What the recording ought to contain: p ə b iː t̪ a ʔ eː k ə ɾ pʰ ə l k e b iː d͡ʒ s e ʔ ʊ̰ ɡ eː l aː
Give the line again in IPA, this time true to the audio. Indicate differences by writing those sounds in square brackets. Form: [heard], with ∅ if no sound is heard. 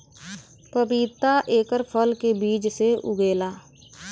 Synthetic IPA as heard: p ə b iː t̪ a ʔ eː k ə ɾ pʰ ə l k e b iː d͡ʒ s e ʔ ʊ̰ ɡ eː l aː